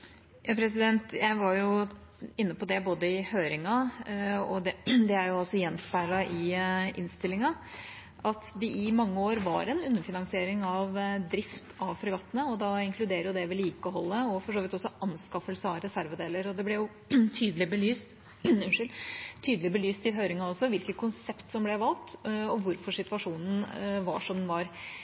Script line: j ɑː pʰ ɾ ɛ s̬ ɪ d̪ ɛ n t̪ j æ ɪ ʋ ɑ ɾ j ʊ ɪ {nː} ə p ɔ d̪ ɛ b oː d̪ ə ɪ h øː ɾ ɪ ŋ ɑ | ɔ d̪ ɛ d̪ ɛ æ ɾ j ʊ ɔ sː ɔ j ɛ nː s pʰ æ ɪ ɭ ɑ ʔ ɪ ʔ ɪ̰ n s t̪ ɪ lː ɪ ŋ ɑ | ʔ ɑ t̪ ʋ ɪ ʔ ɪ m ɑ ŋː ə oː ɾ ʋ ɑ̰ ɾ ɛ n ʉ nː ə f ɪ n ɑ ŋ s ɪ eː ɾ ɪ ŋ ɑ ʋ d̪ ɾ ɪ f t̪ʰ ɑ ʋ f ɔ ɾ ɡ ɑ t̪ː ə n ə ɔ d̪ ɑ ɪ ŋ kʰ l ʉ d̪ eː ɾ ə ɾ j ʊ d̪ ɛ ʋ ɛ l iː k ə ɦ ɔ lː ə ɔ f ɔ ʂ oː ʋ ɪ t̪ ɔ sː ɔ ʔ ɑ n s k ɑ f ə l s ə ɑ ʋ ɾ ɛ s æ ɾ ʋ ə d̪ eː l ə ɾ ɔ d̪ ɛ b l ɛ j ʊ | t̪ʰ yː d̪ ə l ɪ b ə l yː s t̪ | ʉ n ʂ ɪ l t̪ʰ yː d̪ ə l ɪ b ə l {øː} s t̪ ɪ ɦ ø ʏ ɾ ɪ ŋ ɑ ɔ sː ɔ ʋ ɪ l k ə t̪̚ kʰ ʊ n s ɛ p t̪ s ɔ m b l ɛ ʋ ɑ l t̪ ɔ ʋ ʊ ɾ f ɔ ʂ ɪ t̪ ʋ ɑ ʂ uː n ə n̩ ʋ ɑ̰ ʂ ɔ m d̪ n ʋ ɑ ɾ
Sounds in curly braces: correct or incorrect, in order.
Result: correct, incorrect

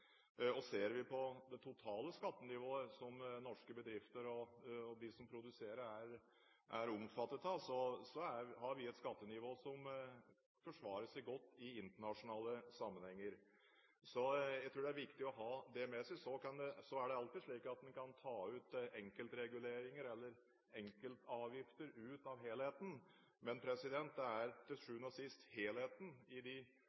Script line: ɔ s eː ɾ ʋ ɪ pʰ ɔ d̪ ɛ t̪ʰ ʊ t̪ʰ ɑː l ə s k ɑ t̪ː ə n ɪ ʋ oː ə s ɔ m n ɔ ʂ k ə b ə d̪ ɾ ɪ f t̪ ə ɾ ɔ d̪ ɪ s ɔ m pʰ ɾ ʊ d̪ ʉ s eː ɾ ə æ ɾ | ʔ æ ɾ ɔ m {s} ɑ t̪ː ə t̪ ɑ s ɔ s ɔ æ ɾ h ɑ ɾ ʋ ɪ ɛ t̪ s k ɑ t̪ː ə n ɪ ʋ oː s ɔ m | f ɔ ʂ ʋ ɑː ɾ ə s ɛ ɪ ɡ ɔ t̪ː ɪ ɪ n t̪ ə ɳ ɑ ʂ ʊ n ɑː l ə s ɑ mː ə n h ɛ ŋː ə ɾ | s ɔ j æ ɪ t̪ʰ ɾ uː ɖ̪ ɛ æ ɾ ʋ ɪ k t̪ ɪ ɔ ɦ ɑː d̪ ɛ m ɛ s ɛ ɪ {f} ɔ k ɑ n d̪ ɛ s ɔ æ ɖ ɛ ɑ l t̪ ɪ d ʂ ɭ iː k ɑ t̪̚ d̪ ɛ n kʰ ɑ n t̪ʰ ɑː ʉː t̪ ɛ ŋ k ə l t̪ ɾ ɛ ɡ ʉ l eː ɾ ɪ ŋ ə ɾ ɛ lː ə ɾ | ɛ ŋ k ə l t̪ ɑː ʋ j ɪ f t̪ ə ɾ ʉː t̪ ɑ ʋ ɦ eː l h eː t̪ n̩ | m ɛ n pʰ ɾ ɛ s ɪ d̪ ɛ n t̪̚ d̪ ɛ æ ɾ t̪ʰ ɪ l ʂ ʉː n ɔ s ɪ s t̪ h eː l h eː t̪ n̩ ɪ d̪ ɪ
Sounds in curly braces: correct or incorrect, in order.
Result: incorrect, incorrect

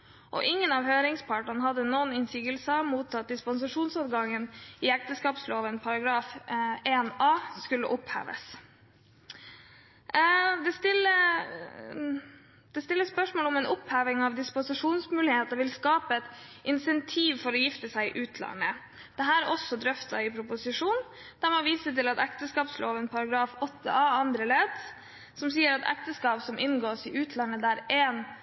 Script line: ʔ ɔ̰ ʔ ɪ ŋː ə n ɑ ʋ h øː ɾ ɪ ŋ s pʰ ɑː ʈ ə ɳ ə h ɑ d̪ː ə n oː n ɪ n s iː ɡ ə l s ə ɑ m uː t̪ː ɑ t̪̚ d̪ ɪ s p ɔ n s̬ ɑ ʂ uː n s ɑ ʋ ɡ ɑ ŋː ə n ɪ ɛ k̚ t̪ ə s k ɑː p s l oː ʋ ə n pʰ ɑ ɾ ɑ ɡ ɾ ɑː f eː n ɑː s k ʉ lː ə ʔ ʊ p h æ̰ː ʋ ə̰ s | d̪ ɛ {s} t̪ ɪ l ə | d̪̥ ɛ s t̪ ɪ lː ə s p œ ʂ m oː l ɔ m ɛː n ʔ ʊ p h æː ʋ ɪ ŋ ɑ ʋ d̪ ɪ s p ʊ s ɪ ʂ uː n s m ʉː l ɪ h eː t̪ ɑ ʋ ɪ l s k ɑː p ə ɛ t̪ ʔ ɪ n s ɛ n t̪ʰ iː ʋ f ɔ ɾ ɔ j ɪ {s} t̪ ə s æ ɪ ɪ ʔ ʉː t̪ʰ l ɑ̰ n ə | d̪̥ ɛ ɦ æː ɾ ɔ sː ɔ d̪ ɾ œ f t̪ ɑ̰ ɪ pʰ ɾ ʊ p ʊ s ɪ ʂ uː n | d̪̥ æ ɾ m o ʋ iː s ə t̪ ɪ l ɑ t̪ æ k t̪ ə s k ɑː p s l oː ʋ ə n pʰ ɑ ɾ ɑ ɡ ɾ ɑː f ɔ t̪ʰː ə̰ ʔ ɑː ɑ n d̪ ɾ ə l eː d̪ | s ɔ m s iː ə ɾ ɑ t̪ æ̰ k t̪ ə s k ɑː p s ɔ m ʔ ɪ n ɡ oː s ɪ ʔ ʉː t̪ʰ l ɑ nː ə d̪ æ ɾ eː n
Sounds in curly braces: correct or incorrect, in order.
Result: correct, incorrect

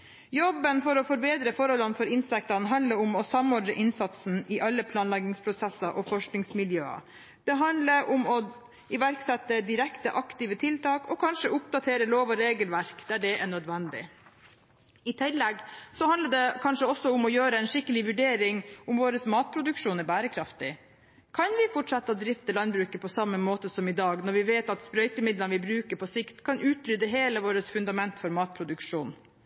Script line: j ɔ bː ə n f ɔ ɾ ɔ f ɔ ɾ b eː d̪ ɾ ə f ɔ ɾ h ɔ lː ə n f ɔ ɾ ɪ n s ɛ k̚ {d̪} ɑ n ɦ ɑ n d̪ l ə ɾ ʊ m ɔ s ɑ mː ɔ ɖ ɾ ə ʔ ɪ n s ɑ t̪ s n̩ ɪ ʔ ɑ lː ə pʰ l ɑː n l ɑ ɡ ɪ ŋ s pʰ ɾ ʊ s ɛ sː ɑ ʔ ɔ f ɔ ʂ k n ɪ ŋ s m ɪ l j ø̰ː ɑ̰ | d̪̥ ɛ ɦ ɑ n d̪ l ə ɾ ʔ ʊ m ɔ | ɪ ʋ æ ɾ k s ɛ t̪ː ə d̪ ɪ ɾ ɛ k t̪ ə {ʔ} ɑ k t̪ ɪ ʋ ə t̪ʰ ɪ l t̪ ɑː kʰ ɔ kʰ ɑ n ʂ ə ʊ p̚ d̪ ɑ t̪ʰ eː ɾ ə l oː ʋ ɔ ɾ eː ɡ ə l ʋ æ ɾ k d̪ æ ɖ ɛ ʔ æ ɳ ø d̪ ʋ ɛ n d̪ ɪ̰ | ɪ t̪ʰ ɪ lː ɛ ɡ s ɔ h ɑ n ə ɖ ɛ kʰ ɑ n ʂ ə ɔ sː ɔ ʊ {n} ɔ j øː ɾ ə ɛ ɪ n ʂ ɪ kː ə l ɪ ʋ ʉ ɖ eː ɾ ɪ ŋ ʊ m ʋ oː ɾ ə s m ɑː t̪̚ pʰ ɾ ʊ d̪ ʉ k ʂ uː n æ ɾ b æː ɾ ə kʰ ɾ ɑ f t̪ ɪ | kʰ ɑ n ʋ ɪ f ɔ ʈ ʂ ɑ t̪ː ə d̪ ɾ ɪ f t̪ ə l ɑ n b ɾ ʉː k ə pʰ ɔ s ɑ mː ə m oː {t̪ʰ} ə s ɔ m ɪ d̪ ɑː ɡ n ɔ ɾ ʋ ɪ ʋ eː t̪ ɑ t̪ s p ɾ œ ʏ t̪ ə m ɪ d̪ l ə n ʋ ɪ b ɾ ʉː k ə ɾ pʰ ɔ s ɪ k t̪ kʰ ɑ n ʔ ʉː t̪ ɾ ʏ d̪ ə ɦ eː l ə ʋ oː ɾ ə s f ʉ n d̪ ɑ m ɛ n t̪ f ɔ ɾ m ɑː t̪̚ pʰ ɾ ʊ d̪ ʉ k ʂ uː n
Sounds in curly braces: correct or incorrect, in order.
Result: incorrect, correct, incorrect, incorrect

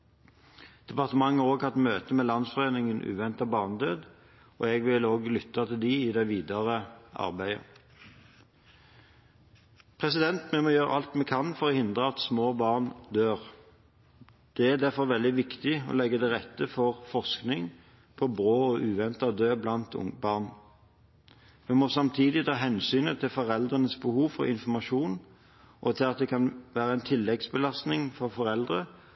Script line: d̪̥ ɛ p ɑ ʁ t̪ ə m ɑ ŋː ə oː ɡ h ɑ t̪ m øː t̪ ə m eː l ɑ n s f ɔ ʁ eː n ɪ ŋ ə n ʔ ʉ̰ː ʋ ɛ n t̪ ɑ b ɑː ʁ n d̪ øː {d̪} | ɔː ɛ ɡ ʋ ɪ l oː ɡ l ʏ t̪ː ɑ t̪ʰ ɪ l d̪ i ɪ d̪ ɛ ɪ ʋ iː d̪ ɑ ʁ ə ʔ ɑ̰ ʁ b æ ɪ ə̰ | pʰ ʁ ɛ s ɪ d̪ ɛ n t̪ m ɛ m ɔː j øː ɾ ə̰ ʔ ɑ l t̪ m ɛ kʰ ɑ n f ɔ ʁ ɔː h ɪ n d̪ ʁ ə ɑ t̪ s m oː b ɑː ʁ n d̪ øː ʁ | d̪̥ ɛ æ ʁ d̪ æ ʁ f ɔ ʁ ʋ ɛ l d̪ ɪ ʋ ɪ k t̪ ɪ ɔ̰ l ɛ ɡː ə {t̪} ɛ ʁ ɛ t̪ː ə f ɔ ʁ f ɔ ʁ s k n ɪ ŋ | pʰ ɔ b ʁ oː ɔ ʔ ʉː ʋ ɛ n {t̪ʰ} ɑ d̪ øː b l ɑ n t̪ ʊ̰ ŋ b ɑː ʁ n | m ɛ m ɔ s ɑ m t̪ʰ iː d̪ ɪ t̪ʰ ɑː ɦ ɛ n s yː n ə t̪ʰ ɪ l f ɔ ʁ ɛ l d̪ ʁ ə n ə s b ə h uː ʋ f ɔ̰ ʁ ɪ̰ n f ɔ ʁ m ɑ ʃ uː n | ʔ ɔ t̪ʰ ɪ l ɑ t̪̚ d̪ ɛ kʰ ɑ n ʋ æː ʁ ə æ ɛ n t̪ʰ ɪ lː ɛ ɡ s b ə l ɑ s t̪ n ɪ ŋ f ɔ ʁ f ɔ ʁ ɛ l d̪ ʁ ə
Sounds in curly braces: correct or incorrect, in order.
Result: correct, incorrect, incorrect

